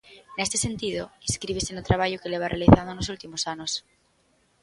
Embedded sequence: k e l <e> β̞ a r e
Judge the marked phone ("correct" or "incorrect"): correct